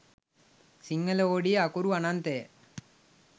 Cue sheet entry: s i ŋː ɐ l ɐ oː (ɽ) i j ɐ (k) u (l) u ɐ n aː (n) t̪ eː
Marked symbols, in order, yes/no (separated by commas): yes, yes, no, yes